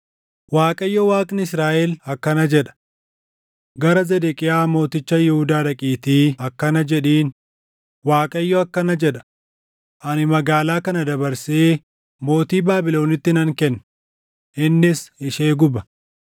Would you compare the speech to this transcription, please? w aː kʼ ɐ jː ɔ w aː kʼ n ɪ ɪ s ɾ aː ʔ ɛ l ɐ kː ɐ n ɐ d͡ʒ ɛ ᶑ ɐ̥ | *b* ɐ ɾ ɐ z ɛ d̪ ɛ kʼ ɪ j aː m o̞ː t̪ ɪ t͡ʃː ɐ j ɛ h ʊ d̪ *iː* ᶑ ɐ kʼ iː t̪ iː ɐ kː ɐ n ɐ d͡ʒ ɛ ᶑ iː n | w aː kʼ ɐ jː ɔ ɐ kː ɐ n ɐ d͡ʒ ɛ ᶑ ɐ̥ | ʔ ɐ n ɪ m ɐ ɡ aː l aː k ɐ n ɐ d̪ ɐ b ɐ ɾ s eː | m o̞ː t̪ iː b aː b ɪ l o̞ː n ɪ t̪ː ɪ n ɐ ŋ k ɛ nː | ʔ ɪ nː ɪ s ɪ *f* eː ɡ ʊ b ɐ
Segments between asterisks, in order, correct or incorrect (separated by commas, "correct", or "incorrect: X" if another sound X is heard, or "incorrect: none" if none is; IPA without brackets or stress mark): incorrect: ɡ, incorrect: aː, incorrect: ʃ